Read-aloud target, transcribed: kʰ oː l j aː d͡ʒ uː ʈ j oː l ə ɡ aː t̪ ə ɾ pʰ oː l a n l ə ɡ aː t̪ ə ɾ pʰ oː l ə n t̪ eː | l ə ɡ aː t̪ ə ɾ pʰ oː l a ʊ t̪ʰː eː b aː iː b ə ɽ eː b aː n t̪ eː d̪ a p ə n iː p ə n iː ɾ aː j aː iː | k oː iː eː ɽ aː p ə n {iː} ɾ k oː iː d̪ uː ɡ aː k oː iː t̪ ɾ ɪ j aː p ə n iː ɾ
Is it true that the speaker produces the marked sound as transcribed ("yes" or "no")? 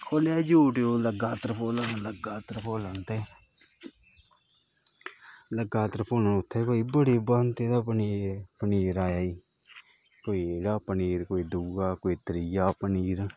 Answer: yes